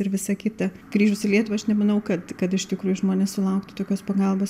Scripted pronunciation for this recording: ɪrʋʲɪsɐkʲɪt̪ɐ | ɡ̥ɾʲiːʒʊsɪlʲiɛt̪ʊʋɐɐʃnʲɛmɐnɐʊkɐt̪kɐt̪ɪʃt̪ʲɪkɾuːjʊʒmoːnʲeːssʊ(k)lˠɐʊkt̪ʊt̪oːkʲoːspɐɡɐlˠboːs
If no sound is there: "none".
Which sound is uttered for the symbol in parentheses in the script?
none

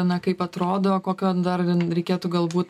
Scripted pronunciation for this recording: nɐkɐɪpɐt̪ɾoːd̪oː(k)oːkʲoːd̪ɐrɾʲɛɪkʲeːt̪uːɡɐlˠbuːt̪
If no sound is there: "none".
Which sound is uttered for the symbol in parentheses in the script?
k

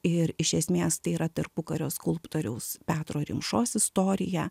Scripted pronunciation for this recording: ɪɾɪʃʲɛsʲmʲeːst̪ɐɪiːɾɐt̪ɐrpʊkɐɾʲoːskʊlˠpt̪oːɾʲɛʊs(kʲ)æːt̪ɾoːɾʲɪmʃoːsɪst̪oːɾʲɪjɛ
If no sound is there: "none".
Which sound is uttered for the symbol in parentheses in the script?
pʲ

